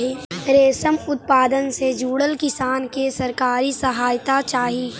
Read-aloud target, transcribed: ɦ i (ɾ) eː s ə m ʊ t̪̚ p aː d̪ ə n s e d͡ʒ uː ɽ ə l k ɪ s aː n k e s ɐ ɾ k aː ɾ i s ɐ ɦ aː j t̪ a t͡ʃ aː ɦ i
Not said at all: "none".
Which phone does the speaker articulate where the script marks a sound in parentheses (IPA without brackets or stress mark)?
ɾ